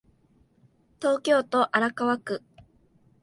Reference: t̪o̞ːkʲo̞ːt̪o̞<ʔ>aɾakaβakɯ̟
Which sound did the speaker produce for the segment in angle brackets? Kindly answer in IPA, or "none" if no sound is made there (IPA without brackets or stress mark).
ʔ